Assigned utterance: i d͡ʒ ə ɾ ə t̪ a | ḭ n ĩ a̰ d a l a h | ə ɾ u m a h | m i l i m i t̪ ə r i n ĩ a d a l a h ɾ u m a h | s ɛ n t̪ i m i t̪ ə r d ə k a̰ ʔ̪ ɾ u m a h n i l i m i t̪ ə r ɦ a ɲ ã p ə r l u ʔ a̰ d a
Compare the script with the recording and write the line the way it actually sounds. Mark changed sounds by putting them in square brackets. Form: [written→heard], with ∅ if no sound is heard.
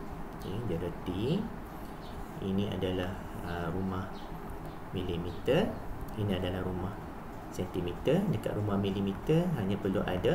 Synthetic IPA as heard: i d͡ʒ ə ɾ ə t̪ [a→i] | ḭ n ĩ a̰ d a l a h | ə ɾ u m a h | m i l i m i t̪ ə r i n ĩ a d a l a h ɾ u m a h | s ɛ n t̪ i m i t̪ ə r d ə k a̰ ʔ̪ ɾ u m a h [n→m] i l i m i t̪ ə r ɦ a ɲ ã p ə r l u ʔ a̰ d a